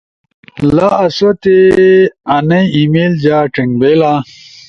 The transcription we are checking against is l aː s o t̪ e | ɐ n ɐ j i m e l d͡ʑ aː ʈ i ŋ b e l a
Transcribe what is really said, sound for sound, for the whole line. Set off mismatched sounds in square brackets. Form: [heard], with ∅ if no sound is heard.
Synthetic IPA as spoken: l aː s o t̪ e | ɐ n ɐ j i m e l d͡ʑ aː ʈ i ŋ b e l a